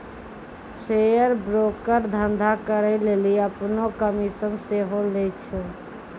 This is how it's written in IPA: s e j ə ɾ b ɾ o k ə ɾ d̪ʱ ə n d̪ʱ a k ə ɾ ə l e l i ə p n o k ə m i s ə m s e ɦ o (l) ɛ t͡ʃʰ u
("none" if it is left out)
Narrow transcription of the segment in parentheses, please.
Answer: l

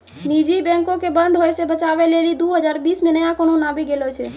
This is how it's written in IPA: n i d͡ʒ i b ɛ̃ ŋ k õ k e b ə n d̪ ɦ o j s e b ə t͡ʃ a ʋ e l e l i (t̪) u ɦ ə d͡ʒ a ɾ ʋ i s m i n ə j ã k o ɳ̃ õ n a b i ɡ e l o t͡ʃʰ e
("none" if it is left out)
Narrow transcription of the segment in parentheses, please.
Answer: d̪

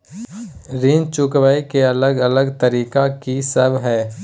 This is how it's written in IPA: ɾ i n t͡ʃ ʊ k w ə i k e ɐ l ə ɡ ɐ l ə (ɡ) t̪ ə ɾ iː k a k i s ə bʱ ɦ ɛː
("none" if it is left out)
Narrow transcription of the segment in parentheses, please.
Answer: ɡ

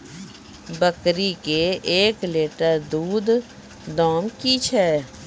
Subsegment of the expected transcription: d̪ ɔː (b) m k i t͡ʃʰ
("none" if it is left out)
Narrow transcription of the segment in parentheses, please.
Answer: none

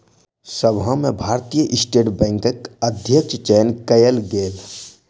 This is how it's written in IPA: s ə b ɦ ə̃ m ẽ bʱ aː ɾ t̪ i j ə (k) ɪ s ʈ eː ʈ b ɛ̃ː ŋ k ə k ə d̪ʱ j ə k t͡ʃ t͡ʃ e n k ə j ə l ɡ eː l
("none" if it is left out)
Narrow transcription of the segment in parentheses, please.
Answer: ʔ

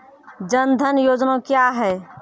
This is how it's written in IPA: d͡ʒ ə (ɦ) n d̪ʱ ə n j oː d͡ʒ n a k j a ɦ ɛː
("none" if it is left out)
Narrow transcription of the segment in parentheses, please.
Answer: none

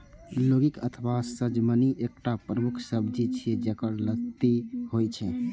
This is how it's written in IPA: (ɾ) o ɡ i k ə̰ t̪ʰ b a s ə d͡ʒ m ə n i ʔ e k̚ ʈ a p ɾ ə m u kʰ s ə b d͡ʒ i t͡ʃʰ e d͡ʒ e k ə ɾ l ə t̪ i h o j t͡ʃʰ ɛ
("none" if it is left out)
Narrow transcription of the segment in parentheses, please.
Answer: l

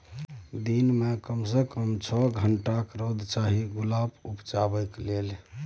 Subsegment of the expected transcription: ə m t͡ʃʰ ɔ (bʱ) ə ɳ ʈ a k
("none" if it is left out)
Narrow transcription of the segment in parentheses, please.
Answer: ɡʱ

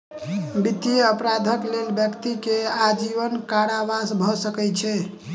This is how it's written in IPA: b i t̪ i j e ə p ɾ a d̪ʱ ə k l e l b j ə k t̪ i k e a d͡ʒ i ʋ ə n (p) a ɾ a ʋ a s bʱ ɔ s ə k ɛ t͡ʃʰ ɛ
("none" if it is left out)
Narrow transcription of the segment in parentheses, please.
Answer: k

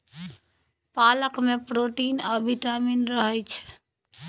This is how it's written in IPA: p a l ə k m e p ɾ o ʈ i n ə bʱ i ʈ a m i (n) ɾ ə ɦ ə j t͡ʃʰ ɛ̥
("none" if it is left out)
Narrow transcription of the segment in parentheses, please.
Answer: n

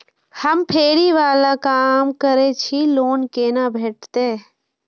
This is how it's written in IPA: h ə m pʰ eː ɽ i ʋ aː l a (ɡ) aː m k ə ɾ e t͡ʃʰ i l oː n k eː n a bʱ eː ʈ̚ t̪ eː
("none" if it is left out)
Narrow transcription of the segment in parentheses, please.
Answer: k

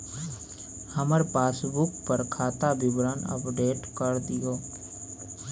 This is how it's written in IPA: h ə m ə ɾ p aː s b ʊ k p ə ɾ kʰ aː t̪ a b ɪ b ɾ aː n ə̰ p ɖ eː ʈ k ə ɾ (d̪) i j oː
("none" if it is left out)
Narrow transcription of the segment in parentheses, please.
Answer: d̪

